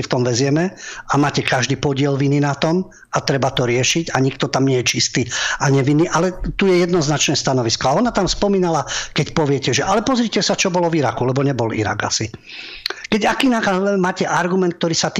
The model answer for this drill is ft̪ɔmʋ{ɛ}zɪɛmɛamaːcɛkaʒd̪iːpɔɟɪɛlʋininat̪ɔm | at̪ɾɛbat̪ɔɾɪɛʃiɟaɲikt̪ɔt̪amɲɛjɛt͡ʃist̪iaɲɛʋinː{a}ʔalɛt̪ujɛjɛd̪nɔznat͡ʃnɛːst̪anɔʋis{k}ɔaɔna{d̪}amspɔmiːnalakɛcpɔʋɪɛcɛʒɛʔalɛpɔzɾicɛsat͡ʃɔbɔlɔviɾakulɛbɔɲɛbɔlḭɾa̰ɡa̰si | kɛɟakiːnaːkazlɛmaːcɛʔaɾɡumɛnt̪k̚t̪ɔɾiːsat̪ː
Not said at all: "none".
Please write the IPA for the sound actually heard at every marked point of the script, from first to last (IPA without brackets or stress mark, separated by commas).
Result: ɛ, i, k, t̪